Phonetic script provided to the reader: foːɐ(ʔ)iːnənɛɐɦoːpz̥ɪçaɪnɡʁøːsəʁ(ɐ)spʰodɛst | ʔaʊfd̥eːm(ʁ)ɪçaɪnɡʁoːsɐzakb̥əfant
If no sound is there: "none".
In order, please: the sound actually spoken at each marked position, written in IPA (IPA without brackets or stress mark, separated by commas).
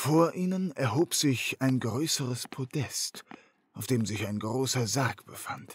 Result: ʔ, ə, z